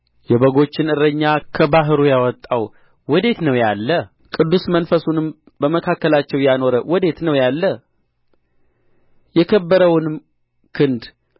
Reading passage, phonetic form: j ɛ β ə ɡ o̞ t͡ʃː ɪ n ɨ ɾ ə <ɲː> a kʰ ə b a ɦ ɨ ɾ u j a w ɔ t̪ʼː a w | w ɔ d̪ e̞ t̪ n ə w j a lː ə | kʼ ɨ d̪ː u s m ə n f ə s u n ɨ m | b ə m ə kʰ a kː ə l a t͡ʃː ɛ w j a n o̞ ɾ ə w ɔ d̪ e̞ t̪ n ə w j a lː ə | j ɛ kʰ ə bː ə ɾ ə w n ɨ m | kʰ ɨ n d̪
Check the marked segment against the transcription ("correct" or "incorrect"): correct